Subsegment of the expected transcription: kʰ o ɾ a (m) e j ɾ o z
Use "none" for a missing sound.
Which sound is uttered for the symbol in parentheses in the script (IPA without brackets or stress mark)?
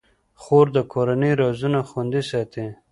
n